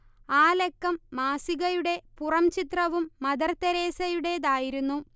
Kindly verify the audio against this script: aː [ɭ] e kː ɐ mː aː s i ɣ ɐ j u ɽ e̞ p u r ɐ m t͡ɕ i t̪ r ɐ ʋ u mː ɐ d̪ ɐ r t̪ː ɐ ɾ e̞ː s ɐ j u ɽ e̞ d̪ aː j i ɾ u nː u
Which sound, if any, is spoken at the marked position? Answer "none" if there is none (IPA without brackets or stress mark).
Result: l